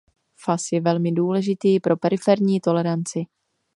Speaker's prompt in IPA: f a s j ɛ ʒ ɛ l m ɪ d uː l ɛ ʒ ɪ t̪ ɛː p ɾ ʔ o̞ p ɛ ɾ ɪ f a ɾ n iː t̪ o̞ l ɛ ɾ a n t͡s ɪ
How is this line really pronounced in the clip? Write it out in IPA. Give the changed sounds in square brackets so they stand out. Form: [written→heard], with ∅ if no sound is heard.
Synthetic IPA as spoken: f a s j ɛ [ʒ→v] ɛ l m ɪ d uː l ɛ ʒ ɪ t̪ [ɛː→iː] p ɾ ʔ o̞ p ɛ ɾ ɪ f [a→ɛ] ɾ [n→ɲ] iː t̪ o̞ l ɛ ɾ a n t͡s ɪ